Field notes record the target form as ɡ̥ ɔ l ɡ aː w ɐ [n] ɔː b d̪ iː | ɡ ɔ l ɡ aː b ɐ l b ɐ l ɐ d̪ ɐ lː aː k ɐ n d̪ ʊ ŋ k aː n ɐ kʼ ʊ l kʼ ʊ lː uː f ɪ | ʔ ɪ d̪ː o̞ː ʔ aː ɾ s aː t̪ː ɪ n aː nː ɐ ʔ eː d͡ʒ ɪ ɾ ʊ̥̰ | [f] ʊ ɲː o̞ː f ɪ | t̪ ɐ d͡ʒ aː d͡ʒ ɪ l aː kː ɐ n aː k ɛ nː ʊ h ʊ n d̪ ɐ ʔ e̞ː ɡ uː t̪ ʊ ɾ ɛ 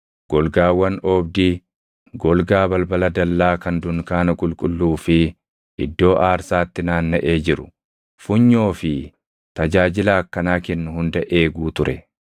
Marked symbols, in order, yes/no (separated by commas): yes, yes